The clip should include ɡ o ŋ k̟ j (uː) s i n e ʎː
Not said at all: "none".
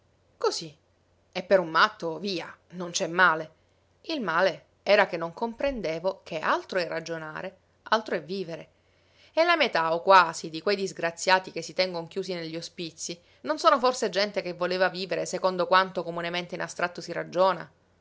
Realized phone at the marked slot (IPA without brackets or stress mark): uː